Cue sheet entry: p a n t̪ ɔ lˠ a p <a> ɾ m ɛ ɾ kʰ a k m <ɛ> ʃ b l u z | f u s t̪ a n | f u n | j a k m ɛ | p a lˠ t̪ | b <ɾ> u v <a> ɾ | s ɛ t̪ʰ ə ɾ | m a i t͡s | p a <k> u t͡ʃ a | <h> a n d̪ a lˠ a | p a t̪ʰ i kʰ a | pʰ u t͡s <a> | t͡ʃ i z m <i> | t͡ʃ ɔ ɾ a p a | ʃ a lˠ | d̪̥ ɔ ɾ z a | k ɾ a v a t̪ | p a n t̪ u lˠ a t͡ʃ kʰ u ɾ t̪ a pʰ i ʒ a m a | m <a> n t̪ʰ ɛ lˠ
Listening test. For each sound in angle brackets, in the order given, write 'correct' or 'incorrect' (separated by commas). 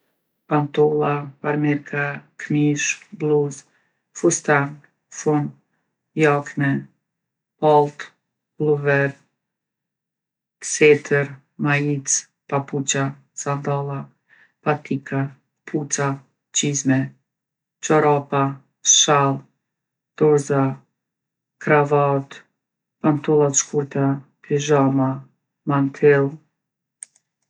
correct, incorrect, incorrect, incorrect, incorrect, incorrect, correct, incorrect, correct